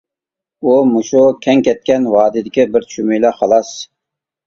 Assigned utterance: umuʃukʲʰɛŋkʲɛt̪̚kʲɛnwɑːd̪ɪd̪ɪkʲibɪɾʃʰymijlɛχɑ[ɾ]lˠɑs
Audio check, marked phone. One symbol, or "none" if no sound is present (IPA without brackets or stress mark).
none